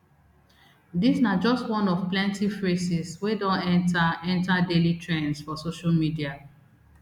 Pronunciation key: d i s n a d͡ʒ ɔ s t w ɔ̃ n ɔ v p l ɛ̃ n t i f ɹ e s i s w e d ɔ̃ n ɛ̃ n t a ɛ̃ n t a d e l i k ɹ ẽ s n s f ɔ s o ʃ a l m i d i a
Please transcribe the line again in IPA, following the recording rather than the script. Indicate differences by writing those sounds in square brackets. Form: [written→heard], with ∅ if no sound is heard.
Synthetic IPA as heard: d i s n a d͡ʒ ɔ s t w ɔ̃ n ɔ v p l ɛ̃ n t i f ɹ e s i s w e d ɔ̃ n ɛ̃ n t a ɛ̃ n t a d e l i [k→t] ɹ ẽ [s→∅] n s f ɔ s o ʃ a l m i d i a